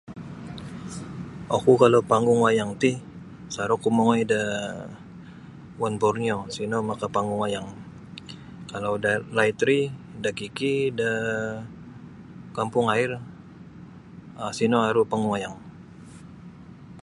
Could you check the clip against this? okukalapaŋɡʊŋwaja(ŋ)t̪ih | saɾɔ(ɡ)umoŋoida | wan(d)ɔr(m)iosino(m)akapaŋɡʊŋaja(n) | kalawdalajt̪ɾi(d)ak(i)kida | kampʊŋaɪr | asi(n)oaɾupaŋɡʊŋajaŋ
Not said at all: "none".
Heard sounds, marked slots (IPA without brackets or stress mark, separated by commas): ŋ, k, b, n, m, ŋ, d, i, n